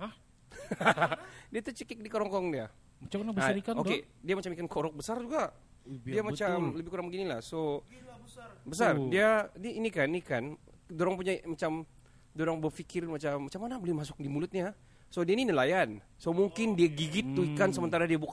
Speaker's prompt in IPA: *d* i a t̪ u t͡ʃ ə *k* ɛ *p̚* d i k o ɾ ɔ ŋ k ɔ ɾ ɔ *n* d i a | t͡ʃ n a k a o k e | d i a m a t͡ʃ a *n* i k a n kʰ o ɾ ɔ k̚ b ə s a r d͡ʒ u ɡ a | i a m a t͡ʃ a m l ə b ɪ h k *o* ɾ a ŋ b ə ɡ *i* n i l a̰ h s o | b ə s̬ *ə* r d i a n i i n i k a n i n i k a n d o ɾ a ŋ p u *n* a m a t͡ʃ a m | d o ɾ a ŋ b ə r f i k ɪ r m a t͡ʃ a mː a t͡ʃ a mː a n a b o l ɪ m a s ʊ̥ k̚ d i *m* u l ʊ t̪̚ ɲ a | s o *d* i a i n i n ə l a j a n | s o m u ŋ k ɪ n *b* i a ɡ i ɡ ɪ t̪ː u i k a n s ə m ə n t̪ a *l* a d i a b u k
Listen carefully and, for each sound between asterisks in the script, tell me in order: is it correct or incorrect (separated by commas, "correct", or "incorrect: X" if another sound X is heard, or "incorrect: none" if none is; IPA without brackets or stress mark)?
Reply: correct, correct, incorrect: k̚, incorrect: ŋ, incorrect: m, incorrect: u, correct, incorrect: a, incorrect: ɲ, correct, correct, incorrect: d, incorrect: ɾ